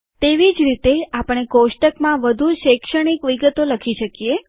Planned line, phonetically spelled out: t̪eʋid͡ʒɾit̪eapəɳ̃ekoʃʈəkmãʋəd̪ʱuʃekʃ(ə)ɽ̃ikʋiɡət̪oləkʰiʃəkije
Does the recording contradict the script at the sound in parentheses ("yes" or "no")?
no